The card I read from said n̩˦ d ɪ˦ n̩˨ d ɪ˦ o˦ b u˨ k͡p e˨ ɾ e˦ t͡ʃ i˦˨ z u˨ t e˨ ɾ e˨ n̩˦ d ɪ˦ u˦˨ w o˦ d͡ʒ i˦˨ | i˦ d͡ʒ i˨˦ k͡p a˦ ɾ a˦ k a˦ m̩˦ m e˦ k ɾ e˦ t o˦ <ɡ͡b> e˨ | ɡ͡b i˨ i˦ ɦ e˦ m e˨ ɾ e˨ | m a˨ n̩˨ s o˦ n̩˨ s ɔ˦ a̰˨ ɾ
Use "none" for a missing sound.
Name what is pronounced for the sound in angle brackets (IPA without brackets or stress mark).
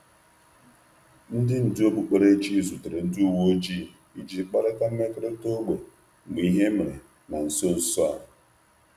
ɡ͡b